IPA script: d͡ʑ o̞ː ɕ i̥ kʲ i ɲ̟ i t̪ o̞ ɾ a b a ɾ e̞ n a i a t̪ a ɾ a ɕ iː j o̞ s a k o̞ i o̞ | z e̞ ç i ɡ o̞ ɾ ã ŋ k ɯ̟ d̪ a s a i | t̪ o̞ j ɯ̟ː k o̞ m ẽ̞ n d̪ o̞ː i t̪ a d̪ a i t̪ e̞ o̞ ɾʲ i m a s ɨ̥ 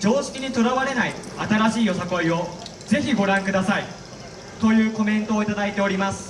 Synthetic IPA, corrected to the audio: d͡ʑ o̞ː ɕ i̥ kʲ i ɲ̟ i t̪ o̞ ɾ a β a ɾ e̞ n a i a t̪ a ɾ a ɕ iː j o̞ s a k o̞ i o̞ | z e̞ ç i ɡ o̞ ɾ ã ŋ k ɯ̟ d̪ a s a i | t̪ o̞ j ɯ̟ː k o̞ m ẽ̞ n t̪ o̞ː i t̪ a d̪ a i t̪ e̞ o̞ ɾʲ i m a s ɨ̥